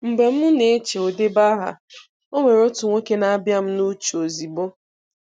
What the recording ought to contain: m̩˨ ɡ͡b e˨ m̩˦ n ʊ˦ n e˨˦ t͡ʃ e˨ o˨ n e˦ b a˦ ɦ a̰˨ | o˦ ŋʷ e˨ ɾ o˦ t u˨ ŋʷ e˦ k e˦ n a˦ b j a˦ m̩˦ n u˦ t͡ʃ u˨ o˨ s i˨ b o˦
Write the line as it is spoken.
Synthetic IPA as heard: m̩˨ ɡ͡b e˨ m̩˦ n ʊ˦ n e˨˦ t͡ʃ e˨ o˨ d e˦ b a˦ ɦ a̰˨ | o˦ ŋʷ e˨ ɾ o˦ t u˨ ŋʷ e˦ k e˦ n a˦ b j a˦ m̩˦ n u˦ t͡ʃ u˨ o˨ z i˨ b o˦